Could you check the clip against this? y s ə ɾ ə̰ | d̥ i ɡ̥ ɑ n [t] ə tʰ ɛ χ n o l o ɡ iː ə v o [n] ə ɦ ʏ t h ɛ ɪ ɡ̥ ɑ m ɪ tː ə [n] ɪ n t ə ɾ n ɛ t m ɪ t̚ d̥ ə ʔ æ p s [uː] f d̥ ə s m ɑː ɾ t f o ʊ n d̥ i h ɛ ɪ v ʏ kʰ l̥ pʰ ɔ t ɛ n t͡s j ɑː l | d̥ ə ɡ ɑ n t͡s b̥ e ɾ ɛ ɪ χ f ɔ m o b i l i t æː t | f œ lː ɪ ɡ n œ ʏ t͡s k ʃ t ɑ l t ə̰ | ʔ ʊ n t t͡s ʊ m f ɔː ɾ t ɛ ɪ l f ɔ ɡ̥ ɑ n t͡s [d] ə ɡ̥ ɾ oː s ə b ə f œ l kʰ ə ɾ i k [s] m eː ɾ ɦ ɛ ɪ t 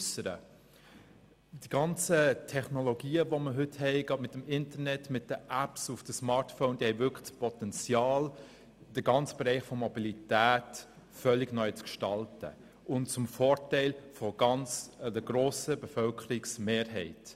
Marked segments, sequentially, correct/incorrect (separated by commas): incorrect, incorrect, incorrect, incorrect, correct, correct